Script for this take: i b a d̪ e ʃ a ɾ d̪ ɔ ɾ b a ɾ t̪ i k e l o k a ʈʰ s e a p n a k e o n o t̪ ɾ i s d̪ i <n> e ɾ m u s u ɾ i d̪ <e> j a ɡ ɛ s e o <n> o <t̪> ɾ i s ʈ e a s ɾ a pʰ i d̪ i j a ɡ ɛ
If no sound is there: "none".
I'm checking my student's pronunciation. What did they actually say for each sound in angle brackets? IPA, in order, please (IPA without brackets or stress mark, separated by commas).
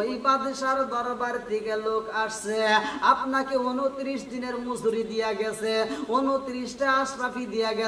n, i, n, t̪